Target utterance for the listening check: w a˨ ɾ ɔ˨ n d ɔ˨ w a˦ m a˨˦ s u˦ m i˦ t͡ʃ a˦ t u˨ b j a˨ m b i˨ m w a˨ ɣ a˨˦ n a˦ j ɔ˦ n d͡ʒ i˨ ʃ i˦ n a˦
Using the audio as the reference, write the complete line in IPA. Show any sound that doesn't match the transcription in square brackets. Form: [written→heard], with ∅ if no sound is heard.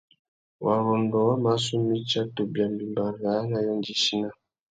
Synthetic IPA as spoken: w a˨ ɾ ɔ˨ n d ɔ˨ w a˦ m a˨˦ s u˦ m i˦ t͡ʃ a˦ t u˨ b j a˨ m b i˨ m [w→b] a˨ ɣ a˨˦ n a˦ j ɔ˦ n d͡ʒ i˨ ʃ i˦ n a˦